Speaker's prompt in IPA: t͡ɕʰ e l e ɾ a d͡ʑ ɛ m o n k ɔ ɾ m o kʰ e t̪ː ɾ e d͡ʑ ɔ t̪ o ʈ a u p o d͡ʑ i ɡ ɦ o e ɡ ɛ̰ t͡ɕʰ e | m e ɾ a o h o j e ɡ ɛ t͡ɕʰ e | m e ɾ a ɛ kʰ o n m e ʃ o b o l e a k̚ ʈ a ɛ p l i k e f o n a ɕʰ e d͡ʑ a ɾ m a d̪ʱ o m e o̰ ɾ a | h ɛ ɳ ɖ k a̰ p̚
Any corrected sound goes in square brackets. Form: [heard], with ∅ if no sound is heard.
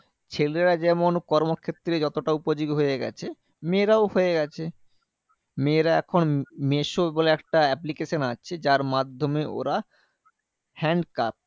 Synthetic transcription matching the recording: t͡ɕʰ e l e ɾ a d͡ʑ ɛ m o n k ɔ ɾ m o kʰ e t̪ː ɾ e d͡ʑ ɔ t̪ o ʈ a u p o d͡ʑ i ɡ ɦ o e ɡ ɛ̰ t͡ɕʰ e | m e ɾ a o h o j e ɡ ɛ t͡ɕʰ e | m e ɾ a ɛ kʰ o n m e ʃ o b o l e [ɛ] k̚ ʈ a ɛ p l i k e [ʃ] o n a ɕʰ e d͡ʑ a ɾ m a d̪ʱ o m e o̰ ɾ a | h ɛ ɳ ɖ k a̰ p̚